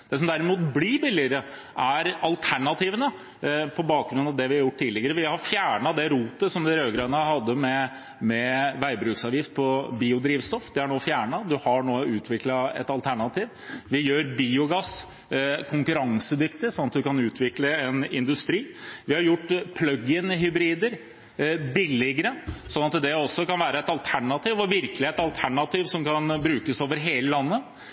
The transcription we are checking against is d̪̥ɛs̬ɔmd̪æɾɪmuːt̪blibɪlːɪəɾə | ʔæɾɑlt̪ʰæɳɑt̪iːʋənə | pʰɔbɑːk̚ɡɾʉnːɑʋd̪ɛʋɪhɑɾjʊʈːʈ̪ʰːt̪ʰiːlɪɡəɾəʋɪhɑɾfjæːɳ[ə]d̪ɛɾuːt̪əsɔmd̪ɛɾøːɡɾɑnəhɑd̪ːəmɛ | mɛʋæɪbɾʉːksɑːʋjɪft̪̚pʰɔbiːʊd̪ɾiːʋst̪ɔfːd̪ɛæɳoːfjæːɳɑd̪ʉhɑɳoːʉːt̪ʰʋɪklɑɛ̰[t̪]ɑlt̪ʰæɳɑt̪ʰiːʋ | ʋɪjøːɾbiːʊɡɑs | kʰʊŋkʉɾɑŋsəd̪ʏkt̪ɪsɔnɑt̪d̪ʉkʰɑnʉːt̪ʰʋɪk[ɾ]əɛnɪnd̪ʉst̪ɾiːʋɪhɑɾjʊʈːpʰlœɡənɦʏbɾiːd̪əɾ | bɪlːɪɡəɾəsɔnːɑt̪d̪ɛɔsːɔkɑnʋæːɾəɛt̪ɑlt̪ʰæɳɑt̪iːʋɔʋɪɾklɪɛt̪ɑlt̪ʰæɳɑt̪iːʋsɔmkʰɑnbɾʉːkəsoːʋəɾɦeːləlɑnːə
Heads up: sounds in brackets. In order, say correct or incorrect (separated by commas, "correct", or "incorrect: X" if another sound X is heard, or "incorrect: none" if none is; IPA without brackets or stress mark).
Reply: incorrect: ɑ, correct, incorrect: l